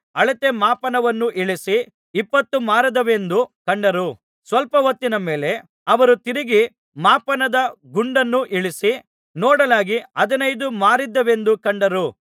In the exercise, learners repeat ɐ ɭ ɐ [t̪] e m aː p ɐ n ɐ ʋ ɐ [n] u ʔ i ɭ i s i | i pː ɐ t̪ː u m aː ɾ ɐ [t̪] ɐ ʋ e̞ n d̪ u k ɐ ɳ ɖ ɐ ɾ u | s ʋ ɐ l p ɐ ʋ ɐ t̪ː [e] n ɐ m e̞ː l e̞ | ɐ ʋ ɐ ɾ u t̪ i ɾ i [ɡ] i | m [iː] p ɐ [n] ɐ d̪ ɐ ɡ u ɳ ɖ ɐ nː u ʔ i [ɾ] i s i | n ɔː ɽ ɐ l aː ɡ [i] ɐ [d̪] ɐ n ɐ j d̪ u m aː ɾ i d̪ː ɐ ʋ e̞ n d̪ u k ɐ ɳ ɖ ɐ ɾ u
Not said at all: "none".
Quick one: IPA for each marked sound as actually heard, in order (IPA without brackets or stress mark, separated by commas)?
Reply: t̪, nː, d̪, i, ɡ, aː, n, ɭ, i, d̪